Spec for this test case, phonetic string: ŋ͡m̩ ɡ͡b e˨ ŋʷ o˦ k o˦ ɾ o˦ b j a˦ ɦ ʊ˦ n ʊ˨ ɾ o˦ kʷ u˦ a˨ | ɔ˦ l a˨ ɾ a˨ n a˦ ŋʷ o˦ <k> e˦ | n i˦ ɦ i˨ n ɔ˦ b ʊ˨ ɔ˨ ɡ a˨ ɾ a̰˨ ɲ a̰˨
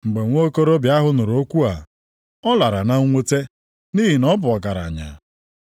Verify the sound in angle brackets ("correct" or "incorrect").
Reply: incorrect